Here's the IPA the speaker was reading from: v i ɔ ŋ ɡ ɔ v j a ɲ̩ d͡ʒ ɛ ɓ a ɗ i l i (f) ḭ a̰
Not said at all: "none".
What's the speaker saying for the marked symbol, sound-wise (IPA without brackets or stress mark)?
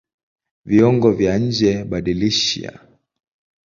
ʃ